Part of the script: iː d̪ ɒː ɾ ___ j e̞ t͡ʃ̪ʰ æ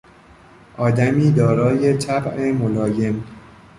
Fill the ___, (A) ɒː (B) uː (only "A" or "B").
A